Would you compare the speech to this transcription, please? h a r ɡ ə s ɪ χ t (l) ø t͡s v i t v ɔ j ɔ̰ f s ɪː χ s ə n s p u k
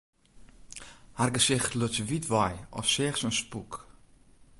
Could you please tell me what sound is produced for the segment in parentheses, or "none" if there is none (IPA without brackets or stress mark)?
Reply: l